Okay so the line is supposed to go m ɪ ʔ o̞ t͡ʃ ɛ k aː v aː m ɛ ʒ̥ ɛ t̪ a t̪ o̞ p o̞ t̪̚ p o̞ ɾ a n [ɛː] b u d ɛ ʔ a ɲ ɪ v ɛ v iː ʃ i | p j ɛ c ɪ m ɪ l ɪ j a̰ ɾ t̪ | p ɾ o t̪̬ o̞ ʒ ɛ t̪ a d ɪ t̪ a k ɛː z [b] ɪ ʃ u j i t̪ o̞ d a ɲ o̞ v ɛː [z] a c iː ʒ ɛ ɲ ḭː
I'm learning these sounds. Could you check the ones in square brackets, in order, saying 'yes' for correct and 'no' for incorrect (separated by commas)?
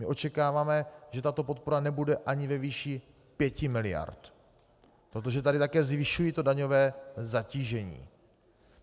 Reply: no, no, yes